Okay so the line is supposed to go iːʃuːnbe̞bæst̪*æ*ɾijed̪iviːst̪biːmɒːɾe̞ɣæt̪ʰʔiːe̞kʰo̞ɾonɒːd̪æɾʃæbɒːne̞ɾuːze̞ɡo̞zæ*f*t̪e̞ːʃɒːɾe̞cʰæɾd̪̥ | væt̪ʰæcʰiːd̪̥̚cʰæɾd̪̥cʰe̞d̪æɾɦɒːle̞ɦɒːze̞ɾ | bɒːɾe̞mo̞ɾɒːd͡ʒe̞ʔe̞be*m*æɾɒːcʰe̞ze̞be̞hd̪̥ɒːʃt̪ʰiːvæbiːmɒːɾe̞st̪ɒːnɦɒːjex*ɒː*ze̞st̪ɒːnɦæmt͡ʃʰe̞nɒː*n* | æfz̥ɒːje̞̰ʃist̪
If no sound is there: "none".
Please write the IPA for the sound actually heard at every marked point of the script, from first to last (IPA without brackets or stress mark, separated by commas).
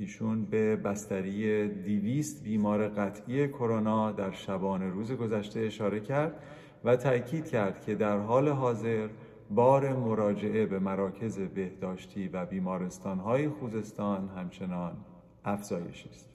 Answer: æ, ʃ, m, uː, n